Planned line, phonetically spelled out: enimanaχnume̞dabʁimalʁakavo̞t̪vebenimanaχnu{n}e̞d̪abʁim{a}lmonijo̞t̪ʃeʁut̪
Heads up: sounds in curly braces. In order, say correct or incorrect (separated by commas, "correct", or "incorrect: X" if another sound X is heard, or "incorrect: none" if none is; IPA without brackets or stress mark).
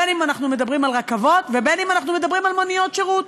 incorrect: m, correct